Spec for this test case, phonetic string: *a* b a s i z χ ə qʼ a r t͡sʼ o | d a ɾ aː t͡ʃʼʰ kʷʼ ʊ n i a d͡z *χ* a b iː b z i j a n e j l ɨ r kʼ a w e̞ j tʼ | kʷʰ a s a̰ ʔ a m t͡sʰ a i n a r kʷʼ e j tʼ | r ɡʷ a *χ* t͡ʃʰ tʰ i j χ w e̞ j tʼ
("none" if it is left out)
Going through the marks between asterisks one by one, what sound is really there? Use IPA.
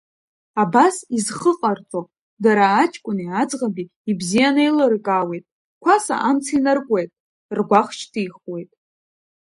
a, ʁ, χ

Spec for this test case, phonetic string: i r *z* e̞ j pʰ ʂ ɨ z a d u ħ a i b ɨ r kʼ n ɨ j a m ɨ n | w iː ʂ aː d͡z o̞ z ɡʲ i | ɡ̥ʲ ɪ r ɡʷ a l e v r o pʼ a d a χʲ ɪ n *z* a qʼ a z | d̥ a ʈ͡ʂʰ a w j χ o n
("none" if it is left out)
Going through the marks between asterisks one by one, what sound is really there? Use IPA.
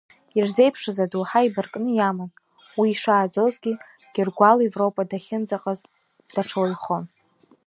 z, d͡z

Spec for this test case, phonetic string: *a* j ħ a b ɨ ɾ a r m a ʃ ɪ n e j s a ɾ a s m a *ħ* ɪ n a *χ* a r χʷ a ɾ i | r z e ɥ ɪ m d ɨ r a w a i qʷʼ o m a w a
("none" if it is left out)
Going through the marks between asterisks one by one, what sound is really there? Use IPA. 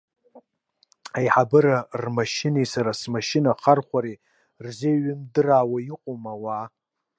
a, ʃ, χ

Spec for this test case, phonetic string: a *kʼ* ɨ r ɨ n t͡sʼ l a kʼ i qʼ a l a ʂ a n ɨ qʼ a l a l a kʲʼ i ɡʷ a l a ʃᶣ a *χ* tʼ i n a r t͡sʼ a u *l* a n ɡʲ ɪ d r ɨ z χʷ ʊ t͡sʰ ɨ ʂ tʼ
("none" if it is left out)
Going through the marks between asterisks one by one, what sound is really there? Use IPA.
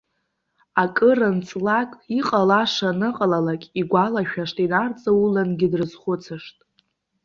kʼ, ʂ, l

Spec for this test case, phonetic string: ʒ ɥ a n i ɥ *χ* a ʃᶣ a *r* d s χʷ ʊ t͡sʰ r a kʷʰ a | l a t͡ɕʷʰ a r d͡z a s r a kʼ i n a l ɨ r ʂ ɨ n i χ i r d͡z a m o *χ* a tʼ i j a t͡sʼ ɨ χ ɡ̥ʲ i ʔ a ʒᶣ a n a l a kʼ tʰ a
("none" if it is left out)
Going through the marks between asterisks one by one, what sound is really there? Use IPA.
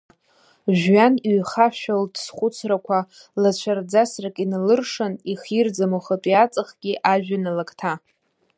χ, l, χ

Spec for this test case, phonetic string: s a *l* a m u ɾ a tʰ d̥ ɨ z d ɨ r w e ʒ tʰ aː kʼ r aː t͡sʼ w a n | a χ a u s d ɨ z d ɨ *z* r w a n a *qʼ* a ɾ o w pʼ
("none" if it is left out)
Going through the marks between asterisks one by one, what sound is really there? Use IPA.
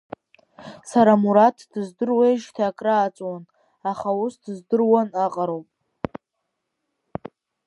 ɾ, none, qʼ

